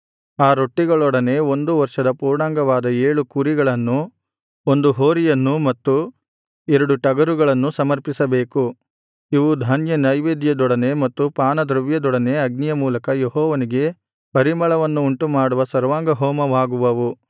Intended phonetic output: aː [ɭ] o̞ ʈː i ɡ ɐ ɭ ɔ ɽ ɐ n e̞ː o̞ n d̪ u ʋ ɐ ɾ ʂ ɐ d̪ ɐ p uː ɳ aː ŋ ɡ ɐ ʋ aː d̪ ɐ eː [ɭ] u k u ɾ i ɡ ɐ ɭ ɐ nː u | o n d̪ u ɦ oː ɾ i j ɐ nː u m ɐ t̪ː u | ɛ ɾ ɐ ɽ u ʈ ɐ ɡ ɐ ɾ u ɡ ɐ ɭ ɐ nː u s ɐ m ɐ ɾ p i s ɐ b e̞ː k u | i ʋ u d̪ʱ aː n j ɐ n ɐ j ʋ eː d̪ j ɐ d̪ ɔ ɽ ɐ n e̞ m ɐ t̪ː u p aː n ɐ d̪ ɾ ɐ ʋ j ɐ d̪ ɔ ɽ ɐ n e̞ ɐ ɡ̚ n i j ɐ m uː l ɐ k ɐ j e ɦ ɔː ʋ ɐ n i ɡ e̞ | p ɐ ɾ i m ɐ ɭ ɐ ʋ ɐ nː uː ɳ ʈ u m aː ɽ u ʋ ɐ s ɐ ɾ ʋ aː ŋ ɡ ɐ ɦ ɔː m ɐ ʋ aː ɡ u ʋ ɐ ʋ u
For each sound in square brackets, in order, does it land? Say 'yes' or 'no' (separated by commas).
no, yes